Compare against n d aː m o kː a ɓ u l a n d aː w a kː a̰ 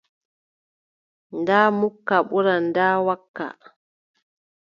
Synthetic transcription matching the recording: n d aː m u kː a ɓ u ɾ a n d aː w a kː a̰